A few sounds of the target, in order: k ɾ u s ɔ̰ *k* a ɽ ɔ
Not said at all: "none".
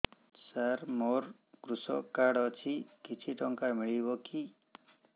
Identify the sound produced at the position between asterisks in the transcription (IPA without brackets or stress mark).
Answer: k